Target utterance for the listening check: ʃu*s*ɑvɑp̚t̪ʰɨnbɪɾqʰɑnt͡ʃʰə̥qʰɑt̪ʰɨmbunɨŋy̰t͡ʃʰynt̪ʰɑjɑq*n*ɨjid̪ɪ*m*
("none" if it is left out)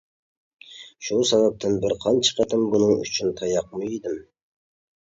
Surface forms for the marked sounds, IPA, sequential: s, m, m

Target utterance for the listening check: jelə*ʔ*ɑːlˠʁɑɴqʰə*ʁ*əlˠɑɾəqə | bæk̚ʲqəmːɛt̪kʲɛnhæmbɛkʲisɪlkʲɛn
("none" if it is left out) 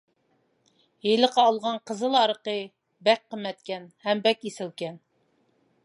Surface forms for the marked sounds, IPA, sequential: q, z

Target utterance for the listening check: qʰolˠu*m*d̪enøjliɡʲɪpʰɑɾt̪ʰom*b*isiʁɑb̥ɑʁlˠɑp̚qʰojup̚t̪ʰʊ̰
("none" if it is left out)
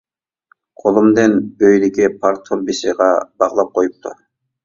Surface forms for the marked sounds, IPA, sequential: m, b

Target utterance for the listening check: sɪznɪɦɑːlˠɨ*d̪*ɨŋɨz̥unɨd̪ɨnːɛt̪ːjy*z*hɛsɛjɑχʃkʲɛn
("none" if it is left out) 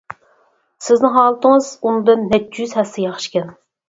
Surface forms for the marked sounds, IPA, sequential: t̪, z

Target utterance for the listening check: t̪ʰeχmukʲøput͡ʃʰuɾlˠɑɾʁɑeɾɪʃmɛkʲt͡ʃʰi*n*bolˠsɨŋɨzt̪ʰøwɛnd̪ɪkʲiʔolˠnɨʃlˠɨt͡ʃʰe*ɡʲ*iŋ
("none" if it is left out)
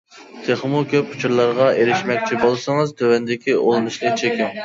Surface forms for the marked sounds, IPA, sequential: none, kʲ

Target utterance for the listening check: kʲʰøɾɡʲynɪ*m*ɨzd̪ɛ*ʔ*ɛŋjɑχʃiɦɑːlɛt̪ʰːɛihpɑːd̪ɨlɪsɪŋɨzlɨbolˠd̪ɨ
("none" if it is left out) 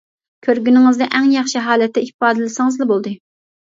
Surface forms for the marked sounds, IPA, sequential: ŋ, ʔ

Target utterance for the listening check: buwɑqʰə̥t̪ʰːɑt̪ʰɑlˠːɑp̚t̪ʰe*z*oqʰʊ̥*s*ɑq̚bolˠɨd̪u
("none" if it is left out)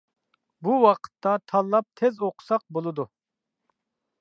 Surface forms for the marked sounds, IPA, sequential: z, s

